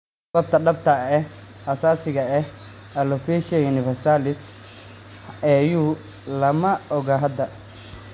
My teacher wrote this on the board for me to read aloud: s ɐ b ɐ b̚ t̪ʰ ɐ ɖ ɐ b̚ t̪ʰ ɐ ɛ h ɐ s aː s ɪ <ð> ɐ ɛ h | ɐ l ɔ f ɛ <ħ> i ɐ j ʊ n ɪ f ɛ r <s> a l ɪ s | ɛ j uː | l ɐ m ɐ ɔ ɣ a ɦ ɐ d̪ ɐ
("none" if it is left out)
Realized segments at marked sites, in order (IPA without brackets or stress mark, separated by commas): ɣ, ʃ, s